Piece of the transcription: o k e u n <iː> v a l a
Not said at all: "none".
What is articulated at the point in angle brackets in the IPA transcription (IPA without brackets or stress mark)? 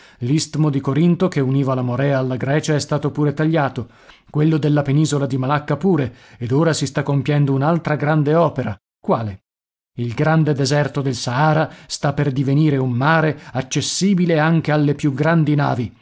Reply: iː